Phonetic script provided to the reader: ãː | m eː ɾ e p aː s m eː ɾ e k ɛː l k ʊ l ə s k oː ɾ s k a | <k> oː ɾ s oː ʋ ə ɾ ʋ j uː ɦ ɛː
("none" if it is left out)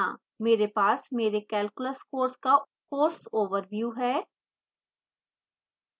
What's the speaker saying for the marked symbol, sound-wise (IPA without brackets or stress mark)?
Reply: k